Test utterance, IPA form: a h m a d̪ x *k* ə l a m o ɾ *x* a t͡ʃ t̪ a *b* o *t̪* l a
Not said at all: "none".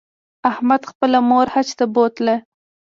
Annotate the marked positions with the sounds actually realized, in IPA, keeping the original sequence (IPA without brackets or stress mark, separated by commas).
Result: p, h, b, t̪